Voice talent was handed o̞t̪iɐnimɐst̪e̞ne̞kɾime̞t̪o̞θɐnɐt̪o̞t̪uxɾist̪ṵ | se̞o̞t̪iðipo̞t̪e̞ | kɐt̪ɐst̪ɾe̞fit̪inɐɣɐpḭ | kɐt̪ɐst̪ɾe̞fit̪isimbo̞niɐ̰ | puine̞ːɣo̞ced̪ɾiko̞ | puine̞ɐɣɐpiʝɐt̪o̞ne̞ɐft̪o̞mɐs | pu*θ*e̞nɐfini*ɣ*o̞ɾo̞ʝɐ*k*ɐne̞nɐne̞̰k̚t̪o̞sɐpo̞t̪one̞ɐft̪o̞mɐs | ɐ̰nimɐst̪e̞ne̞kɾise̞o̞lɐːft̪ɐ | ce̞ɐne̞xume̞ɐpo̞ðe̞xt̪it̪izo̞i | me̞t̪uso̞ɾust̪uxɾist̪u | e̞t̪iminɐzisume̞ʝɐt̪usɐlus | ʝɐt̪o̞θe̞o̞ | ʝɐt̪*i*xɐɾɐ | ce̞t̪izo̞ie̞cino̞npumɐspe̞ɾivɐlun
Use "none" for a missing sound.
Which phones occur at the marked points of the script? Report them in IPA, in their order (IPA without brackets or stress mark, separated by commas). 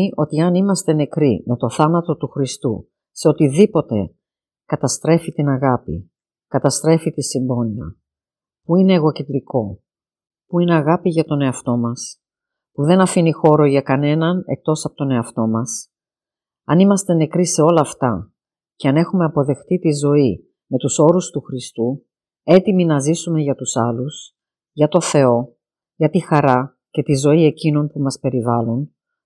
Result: ð, x, k, i